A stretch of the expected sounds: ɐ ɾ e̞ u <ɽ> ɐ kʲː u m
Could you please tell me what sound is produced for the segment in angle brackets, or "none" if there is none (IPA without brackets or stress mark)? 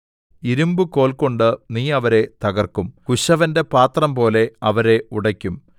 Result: ɽ